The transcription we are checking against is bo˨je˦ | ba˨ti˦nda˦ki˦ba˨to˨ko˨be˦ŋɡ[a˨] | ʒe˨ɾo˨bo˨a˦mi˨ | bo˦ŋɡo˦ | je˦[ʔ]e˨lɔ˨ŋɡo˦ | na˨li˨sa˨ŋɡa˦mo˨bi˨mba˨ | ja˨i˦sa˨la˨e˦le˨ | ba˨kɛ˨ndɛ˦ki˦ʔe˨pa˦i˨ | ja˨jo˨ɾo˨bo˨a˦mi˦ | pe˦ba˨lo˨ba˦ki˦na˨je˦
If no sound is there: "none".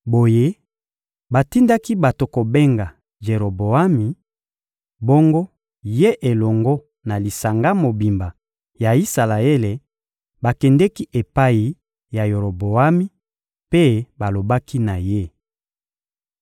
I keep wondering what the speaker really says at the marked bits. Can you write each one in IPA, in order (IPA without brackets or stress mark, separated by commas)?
a˨, ʔ